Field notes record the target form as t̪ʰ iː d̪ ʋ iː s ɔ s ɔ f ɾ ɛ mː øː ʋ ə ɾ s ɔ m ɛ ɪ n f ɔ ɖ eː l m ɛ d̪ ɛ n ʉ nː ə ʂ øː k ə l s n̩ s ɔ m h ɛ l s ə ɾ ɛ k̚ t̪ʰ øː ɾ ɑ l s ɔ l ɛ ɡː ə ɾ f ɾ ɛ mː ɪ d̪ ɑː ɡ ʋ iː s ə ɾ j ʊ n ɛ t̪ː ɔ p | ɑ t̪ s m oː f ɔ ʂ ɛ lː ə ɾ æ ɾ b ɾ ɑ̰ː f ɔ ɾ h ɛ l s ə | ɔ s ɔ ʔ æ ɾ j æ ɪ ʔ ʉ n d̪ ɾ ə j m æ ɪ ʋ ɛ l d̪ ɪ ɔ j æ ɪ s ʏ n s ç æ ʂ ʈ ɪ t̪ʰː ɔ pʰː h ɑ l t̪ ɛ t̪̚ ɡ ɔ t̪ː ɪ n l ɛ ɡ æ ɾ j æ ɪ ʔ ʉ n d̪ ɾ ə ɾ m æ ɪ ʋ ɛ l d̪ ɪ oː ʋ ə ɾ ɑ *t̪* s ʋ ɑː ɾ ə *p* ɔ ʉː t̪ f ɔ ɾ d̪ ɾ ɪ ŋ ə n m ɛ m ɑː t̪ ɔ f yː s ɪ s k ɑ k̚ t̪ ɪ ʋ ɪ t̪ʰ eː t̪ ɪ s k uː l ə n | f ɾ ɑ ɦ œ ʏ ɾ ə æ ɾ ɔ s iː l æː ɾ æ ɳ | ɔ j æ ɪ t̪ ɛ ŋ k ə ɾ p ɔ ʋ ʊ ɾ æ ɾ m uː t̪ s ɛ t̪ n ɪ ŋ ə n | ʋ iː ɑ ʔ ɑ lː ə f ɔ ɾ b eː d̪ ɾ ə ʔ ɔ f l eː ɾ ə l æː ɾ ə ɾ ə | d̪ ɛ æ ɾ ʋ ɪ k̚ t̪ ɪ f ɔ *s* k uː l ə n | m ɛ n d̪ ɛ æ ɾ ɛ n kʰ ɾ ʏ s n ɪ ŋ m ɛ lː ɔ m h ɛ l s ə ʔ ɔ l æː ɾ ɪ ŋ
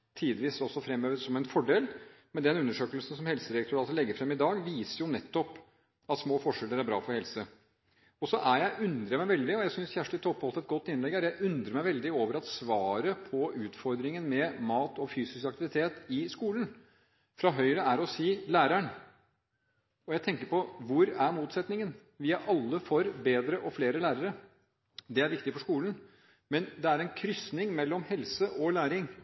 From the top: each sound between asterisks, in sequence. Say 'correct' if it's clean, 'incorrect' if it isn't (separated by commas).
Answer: correct, incorrect, incorrect